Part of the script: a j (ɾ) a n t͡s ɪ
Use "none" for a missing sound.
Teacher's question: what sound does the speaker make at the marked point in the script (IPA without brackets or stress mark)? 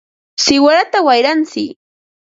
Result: ɾ